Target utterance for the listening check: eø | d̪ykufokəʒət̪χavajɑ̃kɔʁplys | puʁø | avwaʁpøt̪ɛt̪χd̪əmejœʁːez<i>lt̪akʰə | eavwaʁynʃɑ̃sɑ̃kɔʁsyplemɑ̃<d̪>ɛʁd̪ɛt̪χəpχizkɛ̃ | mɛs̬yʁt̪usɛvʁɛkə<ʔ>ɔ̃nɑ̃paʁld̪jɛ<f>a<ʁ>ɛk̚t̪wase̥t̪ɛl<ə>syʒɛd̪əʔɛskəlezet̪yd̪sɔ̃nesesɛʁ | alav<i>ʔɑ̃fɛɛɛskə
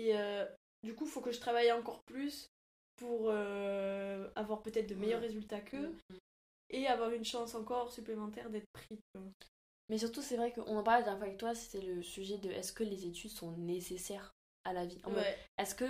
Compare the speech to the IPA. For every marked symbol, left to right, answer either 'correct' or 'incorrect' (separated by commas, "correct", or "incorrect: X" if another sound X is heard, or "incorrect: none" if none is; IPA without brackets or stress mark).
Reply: incorrect: y, incorrect: t̪, correct, correct, incorrect: v, correct, correct